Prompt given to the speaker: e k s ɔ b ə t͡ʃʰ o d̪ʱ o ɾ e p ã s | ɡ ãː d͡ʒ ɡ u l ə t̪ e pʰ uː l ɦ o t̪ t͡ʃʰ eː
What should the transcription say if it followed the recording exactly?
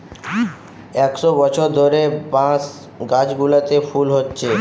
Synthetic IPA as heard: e k s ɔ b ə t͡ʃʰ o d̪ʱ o ɾ e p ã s | ɡ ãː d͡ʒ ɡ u l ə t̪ e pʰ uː l ɦ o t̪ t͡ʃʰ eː